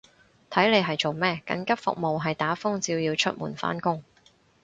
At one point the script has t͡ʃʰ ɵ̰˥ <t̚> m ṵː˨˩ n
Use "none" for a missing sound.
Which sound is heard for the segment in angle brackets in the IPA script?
t̚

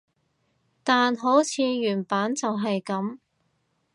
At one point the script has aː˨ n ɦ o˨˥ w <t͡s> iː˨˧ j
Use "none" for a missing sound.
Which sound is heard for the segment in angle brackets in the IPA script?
t͡sʰ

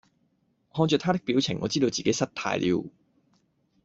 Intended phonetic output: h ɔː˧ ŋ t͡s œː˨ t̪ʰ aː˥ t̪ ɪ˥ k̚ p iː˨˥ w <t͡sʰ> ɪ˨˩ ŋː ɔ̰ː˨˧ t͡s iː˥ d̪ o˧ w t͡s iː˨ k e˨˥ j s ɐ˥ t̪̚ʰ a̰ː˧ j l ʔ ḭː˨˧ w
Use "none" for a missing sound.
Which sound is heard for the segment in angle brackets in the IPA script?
t͡sʰ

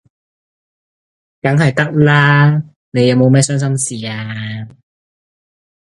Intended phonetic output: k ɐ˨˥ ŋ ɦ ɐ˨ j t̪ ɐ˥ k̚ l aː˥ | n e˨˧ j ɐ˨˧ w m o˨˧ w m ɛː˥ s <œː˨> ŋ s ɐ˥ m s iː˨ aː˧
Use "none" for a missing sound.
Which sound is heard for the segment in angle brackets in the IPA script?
œː˥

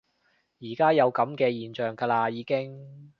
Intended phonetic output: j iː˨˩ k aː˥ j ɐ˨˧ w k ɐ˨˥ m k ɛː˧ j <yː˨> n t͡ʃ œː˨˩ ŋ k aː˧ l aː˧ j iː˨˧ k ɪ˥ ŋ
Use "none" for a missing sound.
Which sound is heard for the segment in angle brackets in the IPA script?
iː˨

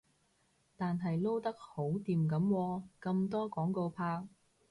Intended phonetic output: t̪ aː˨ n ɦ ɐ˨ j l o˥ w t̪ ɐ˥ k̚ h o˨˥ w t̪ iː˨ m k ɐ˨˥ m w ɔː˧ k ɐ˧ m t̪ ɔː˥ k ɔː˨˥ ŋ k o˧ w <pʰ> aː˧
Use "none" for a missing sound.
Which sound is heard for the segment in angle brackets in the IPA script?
pʰ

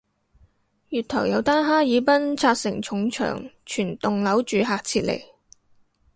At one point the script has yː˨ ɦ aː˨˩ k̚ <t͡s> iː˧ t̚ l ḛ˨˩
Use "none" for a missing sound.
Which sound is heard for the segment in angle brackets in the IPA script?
t͡sʰ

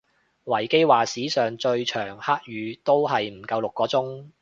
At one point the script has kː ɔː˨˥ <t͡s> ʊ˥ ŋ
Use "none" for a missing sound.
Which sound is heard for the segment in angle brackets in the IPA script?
t͡s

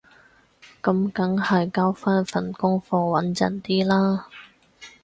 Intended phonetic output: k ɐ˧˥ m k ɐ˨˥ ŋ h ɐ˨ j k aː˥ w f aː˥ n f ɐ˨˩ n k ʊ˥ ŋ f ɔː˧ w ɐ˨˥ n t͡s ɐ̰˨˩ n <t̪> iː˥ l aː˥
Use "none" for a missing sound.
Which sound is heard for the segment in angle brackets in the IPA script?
t̪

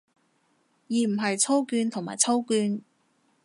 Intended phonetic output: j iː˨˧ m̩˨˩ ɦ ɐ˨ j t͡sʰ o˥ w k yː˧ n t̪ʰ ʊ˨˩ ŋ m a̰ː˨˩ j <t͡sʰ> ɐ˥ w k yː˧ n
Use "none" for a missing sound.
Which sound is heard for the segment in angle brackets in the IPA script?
t͡sʰ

